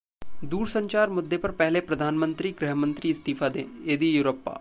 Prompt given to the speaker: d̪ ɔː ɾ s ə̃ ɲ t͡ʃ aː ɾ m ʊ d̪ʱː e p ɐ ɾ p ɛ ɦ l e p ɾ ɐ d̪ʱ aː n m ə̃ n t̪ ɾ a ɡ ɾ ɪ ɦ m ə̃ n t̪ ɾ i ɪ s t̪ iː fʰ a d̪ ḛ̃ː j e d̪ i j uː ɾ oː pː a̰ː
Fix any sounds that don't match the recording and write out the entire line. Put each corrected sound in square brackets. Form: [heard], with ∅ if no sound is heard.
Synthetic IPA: d̪ [uː] ɾ s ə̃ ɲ t͡ʃ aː ɾ m ʊ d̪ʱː e p ɐ ɾ p ɛ ɦ l e p ɾ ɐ d̪ʱ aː n m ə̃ n t̪ ɾ [i] ɡ ɾ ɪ ɦ m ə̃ n t̪ ɾ i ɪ s t̪ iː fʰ a d̪ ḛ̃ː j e d̪ i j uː ɾ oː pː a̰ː